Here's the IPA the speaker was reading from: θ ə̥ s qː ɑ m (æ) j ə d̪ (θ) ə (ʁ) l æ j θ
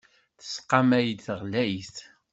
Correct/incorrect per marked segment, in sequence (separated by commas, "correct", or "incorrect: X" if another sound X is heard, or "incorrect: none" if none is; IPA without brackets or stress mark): correct, correct, correct